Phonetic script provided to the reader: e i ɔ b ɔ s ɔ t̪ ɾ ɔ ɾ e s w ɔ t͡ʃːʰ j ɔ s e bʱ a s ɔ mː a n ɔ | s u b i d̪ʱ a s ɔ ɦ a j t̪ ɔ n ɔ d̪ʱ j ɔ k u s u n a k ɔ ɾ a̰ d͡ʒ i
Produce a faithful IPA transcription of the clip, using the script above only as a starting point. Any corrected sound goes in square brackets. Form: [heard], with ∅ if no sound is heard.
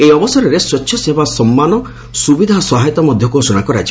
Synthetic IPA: e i ɔ b ɔ s ɔ [∅] ɾ ɔ ɾ e s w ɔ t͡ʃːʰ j ɔ s e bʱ a s ɔ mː a n ɔ | s u b i d̪ʱ a s ɔ ɦ a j t̪ ɔ [m] ɔ d̪ʱ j ɔ k u s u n a k ɔ ɾ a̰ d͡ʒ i

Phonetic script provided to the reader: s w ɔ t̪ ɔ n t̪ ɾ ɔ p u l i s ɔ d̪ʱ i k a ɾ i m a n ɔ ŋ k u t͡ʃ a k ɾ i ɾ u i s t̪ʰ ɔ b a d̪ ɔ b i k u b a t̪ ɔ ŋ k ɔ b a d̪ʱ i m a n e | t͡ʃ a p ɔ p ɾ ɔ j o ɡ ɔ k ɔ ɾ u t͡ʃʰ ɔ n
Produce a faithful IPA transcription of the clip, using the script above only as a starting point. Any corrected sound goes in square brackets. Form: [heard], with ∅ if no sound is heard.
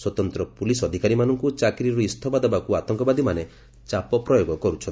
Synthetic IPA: s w ɔ t̪ ɔ n t̪ ɾ ɔ p u l i s ɔ d̪ʱ i k a ɾ i m a n ɔ ŋ k u t͡ʃ a k ɾ i ɾ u i s t̪ʰ ɔ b a d̪ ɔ b [a] k u [∅] a t̪ ɔ ŋ k ɔ b a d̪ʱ i m a n e | t͡ʃ a p ɔ p ɾ ɔ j o ɡ ɔ k ɔ ɾ u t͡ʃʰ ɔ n

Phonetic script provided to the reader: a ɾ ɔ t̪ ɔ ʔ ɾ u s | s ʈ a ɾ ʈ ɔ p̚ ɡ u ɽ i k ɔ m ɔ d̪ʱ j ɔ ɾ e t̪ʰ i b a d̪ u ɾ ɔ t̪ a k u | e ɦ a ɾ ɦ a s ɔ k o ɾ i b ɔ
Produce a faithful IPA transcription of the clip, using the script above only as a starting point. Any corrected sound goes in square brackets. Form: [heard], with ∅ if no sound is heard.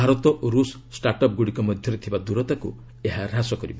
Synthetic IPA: a ɾ ɔ t̪ ɔ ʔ ɾ u s | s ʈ a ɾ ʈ ɔ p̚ ɡ u ɽ i k ɔ m ɔ d̪ʱ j ɔ ɾ e t̪ʰ i b a d̪ u ɾ ɔ t̪ a k u | e ɦ a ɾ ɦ a s ɔ k [ɔ] ɾ i b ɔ

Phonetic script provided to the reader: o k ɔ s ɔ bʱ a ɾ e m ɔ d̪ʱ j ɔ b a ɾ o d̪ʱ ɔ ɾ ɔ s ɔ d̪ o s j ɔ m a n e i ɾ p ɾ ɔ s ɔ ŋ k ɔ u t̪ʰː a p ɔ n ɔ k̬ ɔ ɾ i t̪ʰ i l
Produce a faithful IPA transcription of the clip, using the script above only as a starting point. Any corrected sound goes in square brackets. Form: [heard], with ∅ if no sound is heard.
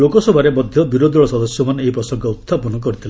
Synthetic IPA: o k ɔ s ɔ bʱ a ɾ e m ɔ d̪ʱ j ɔ b [i] ɾ o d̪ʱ ɔ [ɭ] ɔ s ɔ d̪ [ɔ] s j ɔ m a n e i [∅] p ɾ ɔ s ɔ ŋ k ɔ u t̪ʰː a p ɔ n ɔ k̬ ɔ ɾ i t̪ʰ i l

